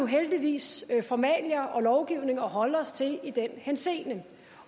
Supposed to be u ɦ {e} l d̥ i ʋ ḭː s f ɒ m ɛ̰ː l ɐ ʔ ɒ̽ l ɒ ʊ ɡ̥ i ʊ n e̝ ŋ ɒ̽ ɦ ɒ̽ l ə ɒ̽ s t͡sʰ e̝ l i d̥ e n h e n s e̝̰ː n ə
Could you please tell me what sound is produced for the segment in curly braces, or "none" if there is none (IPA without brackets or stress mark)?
e